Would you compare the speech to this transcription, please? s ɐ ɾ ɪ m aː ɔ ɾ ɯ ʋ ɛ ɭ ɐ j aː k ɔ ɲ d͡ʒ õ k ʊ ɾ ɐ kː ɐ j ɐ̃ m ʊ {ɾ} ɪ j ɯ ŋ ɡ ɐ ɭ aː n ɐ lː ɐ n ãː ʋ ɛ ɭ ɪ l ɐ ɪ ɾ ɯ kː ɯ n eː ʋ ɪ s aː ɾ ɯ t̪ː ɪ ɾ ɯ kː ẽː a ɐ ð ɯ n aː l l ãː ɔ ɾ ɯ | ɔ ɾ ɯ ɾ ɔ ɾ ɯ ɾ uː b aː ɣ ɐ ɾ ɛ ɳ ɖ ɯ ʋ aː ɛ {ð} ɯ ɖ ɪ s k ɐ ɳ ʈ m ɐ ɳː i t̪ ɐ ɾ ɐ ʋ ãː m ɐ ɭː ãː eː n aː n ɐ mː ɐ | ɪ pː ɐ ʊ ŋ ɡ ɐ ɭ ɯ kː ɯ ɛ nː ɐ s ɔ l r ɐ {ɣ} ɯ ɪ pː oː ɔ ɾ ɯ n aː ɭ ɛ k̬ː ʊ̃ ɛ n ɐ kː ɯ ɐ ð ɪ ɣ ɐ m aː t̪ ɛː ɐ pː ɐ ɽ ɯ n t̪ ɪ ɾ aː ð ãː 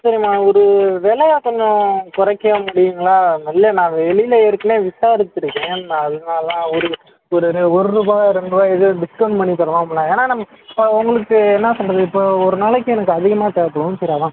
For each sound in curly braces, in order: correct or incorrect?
incorrect: ɽ, correct, incorrect: ð

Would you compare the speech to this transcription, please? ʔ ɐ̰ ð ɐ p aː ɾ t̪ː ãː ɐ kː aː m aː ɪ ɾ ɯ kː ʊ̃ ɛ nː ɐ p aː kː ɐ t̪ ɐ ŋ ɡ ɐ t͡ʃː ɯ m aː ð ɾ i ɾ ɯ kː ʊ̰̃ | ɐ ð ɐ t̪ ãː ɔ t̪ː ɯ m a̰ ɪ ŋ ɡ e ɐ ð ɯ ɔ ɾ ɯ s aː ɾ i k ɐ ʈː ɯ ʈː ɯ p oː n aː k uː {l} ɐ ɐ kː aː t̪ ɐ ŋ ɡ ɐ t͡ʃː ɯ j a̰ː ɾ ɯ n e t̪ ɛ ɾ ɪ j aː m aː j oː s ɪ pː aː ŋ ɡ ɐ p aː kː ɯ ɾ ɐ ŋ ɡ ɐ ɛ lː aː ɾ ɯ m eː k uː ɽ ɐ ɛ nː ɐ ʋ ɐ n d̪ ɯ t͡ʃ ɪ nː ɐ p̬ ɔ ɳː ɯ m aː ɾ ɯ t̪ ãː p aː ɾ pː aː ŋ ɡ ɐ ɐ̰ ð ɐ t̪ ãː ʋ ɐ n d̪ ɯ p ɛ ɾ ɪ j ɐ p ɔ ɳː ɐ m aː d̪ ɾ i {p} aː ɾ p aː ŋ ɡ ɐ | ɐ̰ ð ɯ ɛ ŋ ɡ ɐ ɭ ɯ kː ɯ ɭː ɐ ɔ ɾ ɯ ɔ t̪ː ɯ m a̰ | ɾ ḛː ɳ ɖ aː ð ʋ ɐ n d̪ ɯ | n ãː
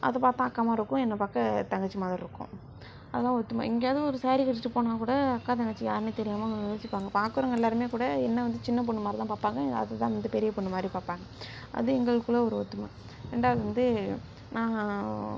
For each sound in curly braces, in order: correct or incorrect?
incorrect: ɽ, correct

